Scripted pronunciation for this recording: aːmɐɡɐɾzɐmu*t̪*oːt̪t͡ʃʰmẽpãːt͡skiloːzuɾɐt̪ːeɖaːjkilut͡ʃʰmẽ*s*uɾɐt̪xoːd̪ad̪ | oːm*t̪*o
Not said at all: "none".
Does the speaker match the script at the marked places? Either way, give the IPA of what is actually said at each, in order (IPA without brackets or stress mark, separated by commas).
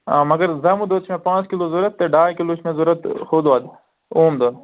d̪, z, d̪